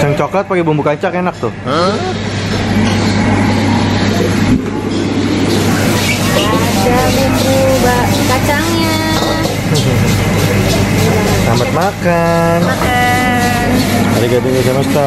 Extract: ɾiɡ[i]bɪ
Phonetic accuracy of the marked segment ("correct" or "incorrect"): incorrect